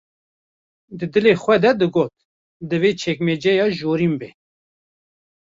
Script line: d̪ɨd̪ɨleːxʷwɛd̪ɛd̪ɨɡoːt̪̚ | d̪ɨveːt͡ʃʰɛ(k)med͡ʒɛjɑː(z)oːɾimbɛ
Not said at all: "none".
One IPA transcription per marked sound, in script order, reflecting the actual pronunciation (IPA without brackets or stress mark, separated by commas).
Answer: k, ʒ